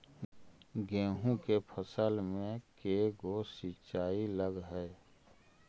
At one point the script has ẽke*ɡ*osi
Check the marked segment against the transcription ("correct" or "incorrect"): correct